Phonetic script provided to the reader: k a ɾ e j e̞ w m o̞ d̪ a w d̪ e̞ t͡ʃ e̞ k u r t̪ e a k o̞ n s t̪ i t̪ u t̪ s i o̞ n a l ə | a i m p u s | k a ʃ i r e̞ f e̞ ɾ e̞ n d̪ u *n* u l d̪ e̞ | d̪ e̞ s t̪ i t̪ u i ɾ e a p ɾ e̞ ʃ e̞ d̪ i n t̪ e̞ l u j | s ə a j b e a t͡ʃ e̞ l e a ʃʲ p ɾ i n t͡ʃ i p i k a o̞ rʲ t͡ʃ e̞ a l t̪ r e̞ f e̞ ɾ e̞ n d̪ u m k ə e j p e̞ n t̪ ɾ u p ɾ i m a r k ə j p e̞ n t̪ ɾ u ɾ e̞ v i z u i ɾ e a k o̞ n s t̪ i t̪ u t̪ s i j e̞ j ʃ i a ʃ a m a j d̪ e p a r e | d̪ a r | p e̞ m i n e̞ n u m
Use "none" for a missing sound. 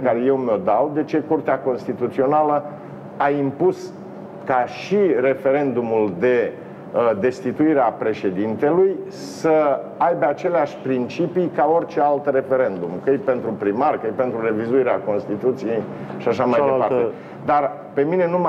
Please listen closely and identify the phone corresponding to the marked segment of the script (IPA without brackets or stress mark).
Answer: m